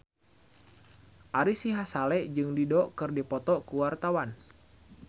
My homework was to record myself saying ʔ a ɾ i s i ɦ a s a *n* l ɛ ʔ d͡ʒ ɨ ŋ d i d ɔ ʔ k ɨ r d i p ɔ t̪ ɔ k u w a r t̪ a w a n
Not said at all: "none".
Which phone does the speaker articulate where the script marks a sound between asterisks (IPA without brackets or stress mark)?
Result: none